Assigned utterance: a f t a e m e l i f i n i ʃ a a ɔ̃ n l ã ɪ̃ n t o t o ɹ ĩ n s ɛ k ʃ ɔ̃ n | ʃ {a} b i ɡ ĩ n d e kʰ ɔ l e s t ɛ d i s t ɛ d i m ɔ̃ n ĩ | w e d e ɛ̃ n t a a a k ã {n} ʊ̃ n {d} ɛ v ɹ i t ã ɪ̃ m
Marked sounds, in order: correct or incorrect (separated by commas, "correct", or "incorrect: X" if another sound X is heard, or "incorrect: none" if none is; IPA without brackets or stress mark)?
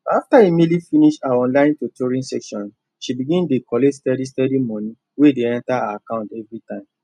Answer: incorrect: i, incorrect: none, incorrect: t